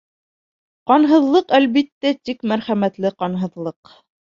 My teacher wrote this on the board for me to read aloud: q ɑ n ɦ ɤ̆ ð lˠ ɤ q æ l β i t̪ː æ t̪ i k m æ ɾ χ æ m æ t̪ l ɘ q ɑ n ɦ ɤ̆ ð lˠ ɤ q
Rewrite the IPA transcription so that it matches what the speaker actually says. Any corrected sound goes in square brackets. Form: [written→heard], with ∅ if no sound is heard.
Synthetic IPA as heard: q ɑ n ɦ ɤ̆ ð lˠ ɤ q æ l β i t̪ː æ t̪ i k m æ ɾ χ æ m æ t̪ l ɘ q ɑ n ɦ ɤ̆ ð lˠ ɤ q

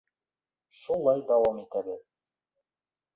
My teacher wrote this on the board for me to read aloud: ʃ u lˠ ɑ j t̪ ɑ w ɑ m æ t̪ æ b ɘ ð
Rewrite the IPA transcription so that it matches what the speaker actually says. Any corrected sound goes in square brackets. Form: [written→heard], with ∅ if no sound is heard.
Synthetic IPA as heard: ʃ u lˠ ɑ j [t̪→d̪] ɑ w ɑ m [æ→i] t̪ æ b ɘ ð

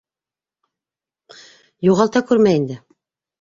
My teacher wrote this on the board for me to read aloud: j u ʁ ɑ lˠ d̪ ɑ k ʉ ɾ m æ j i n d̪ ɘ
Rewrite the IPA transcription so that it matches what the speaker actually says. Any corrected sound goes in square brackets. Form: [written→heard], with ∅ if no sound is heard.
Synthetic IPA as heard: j u ʁ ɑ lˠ [d̪→t̪] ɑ k ʉ ɾ m æ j i n d̪ ɘ

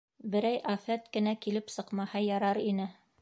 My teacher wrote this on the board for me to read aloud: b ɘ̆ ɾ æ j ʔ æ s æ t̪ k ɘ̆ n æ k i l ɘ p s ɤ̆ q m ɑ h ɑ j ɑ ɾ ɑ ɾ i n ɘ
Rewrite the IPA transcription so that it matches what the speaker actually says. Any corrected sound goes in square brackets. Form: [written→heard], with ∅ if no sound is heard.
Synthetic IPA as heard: b ɘ̆ ɾ æ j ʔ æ [s→f] æ t̪ k ɘ̆ n æ k i l ɘ p s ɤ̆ q m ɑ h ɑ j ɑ ɾ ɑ ɾ i n ɘ

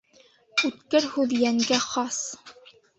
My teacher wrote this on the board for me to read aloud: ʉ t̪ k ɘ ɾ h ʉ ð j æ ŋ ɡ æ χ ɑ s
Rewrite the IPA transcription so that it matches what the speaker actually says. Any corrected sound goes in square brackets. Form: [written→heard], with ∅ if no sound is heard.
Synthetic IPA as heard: ʉ t̪ k ɘ ɾ h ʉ ð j æ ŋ ɡ æ χ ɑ s

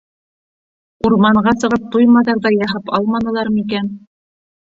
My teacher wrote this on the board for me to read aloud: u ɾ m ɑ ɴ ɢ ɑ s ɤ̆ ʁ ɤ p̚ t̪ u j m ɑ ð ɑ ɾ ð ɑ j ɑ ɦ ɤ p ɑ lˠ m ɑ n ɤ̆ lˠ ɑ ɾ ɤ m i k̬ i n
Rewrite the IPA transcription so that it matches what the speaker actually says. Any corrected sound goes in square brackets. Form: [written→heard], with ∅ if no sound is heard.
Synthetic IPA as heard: u ɾ m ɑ ɴ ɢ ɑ s ɤ̆ ʁ ɤ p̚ t̪ u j m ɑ ð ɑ ɾ ð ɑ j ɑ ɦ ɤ p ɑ lˠ m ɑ n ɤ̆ lˠ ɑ ɾ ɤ m i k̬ [i→æ] n

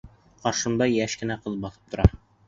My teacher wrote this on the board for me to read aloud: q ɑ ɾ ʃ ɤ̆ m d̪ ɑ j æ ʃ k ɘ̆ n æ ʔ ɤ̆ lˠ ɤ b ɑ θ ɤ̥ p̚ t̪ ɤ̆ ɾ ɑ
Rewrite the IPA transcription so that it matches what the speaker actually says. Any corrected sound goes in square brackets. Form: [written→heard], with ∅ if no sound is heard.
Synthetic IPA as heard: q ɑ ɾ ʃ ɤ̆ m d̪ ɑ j æ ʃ k ɘ̆ n æ [ʔ→q] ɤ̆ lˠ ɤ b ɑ θ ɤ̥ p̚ t̪ [ɤ̆→ŏ] ɾ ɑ

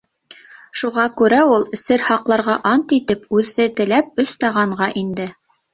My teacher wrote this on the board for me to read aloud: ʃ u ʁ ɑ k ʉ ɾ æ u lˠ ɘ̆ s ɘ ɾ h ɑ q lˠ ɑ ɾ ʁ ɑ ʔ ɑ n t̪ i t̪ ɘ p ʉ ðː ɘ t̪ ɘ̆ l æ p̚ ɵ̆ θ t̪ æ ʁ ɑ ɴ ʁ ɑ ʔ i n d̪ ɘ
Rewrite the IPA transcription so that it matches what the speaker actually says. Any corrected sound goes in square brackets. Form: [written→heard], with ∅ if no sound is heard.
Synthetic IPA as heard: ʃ u ʁ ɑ k ʉ ɾ æ u lˠ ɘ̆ s ɘ ɾ h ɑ q lˠ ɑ ɾ ʁ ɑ ʔ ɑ n t̪ i t̪ ɘ p ʉ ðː ɘ t̪ ɘ̆ l æ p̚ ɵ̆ [θ→s] t̪ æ ʁ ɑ ɴ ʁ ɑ ʔ i n d̪ ɘ

